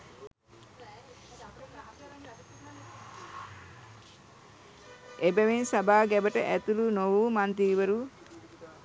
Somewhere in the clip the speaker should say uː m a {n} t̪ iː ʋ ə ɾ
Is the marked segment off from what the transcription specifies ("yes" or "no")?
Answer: no